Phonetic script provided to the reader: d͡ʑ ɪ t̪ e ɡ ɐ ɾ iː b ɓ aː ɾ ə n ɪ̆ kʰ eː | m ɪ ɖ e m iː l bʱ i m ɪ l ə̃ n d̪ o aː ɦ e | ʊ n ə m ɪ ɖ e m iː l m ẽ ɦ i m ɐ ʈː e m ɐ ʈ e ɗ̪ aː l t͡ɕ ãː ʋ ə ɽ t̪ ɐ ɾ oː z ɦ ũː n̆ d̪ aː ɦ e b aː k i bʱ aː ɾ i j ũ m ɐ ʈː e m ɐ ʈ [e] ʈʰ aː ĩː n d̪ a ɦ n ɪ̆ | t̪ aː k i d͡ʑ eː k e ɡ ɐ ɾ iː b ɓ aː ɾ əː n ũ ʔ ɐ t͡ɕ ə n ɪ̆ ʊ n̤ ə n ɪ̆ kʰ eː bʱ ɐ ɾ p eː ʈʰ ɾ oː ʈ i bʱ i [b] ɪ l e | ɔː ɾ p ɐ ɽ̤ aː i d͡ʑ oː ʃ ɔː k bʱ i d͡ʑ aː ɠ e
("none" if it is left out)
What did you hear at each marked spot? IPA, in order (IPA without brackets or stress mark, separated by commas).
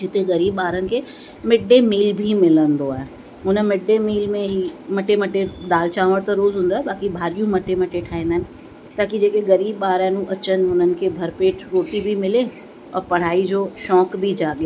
e, m